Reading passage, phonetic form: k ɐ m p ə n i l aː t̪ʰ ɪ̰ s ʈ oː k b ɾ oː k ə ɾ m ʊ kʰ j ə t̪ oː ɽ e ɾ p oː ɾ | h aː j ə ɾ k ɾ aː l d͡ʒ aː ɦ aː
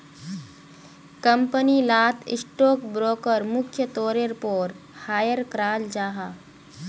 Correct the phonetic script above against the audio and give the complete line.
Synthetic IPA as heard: k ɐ m p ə n i l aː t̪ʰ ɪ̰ s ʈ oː k b ɾ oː k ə ɾ m ʊ kʰ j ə t̪ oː ɾ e ɾ p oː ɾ | h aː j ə ɾ k ɾ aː l d͡ʒ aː ɦ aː

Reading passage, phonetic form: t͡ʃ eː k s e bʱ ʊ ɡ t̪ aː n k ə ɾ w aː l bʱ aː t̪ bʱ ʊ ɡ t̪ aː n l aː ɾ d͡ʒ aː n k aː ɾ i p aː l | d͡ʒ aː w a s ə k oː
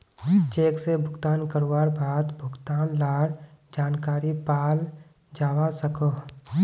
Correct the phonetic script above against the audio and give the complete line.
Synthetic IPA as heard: t͡ʃ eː k s e bʱ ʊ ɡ t̪ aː n k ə ɾ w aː ɾ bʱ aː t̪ bʱ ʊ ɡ t̪ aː n l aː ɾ d͡ʒ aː n k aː ɾ i p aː l | d͡ʒ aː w a s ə k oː

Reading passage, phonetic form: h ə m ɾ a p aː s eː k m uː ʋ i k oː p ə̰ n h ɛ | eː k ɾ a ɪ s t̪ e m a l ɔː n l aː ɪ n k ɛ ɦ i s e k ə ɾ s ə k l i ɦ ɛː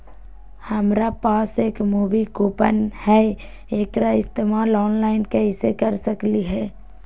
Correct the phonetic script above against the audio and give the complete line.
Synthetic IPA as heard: h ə m ɾ a p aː s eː k m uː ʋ i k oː p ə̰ n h ɛ | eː k ɾ a ɪ s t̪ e m a l ɔː n l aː ɪ n k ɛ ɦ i s e k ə ɾ s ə k l i ɦ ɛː

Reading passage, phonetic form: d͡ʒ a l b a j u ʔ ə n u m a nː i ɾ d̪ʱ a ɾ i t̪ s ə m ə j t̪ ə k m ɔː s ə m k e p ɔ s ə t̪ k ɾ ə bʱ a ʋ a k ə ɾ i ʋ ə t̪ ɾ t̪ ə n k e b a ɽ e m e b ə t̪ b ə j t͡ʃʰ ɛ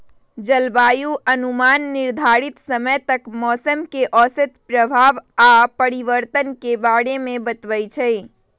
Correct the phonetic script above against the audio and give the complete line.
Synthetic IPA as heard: d͡ʒ ə l b a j u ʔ ə n u m a nː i ɾ d̪ʱ a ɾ i t̪ s ə m ə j t̪ ə k m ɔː s ə m k e ʔ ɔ s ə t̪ p ɾ ə bʱ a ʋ a p ə ɾ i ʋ ə ɾ t̪ ə n k e b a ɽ e m e b ə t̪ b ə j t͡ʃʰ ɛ

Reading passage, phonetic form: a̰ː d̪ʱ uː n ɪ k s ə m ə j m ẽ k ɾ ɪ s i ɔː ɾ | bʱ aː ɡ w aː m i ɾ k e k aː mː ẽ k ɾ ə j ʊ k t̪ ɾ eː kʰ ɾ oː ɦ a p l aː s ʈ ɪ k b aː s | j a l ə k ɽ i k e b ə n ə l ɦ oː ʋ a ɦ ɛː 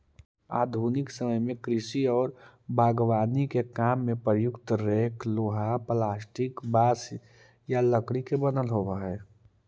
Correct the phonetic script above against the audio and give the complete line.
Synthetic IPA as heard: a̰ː d̪ʱ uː n ɪ k s ə m ə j m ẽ k ɾ ɪ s i ɔː ɾ | bʱ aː ɡ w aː n i k e k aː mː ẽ p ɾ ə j ʊ k t̪ ɾ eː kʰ l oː ɦ a p l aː s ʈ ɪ k b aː s | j a l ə k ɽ i k e b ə n ə l ɦ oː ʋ a ɦ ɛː

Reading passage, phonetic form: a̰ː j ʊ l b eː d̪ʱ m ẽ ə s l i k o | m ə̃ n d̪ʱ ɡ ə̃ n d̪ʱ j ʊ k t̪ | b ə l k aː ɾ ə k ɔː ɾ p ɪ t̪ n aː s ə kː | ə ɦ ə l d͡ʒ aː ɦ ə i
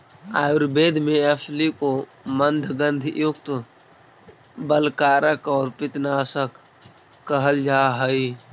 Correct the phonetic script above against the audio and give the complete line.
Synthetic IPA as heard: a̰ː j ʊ ɾ b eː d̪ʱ m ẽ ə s l i k o | m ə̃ n d̪ʱ ɡ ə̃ n d̪ʱ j ʊ k t̪ | b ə l k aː ɾ ə k ɔː ɾ p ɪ t̪ n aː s ə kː | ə ɦ ə l d͡ʒ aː ɦ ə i

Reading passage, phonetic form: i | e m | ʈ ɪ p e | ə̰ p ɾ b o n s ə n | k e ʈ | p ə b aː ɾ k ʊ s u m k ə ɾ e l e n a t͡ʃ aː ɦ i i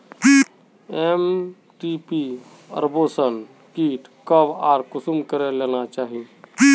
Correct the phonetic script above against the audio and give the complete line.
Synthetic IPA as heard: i | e m | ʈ i p i | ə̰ ɾ b o s ə n | k i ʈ | k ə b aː ɾ k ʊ s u m k ə ɾ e l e n a t͡ʃ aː ɦ i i

